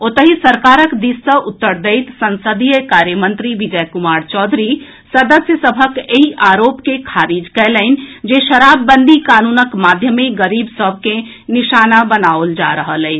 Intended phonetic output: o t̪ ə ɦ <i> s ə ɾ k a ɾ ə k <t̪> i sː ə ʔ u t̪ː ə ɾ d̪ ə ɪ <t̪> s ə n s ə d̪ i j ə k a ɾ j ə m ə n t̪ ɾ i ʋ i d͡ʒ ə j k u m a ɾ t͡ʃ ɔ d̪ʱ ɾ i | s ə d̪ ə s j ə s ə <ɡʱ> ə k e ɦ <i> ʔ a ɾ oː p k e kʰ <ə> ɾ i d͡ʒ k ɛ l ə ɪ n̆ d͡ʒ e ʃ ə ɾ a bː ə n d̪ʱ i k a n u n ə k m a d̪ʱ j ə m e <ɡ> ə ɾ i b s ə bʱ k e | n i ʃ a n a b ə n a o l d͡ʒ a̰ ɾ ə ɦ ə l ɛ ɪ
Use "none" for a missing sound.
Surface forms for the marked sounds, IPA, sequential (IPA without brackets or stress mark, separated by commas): i, d̪, t̪, bʱ, i, a, ɡ